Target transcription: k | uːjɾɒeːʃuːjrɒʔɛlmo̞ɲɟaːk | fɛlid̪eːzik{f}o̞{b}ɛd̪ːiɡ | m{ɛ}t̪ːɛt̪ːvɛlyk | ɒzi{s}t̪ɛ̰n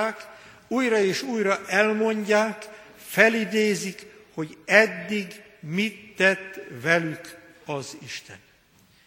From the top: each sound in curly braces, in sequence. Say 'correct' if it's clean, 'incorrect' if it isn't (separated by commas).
incorrect, incorrect, incorrect, incorrect